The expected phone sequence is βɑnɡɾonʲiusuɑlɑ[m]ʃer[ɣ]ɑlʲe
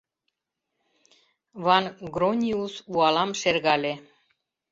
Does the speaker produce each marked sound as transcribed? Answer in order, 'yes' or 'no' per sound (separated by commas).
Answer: yes, yes